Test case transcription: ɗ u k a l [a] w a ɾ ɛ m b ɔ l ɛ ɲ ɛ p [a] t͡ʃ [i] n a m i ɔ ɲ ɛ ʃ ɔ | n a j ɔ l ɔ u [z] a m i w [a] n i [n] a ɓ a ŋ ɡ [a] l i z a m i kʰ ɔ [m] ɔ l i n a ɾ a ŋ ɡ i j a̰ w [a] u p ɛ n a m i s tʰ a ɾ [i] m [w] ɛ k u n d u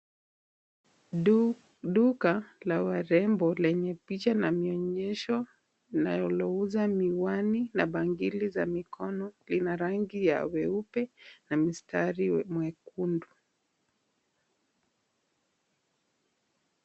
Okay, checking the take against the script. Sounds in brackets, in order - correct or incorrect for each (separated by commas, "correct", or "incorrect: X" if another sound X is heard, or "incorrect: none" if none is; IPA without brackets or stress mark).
correct, incorrect: i, incorrect: a, correct, correct, correct, incorrect: i, incorrect: n, incorrect: ɛ, correct, correct